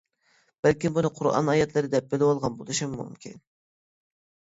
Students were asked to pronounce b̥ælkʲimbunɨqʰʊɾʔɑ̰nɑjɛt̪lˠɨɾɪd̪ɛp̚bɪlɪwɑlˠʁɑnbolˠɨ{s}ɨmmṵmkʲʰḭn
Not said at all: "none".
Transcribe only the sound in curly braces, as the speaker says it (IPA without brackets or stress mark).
ʃ